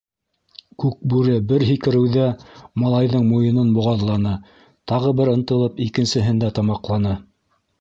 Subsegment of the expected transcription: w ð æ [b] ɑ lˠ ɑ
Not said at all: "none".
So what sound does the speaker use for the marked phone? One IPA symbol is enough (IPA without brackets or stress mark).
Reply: m